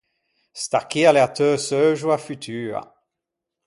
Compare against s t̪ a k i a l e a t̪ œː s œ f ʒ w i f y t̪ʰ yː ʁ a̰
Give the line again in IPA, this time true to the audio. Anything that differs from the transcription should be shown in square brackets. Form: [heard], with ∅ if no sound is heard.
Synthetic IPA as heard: s t̪ a k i a l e a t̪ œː s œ [∅] ʒ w [a] f y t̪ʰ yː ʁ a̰